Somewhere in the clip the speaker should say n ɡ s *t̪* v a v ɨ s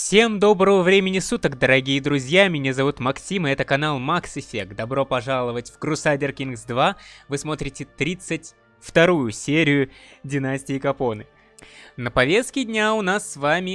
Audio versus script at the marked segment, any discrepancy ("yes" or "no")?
yes